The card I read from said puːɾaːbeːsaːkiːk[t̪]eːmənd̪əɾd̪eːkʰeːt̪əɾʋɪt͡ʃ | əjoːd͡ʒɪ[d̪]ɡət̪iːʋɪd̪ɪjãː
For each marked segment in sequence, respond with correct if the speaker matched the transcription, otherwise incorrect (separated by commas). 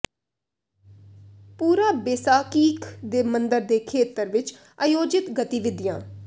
incorrect, incorrect